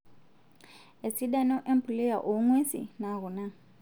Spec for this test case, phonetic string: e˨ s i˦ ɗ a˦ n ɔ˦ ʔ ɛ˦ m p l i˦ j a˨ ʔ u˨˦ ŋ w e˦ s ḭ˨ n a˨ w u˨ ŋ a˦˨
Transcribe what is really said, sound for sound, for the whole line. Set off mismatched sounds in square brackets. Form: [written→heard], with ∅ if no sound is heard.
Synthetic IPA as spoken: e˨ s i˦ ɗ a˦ n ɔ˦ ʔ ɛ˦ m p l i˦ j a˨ ʔ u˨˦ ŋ w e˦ s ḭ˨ n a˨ [w→ɣ] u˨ [ŋ→n] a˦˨